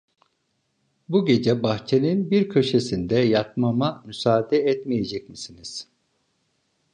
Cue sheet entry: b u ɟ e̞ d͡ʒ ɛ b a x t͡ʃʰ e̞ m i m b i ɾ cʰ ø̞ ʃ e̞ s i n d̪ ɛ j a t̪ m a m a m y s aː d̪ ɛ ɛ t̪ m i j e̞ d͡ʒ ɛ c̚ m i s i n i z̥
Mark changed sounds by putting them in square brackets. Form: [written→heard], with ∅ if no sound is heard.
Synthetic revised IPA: b u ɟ e̞ d͡ʒ ɛ b a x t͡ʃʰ e̞ [m→n] i [m→n] b i ɾ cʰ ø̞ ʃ e̞ s i n d̪ ɛ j a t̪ m a m a m y s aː d̪ ɛ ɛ t̪ m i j e̞ d͡ʒ ɛ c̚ m i s i n i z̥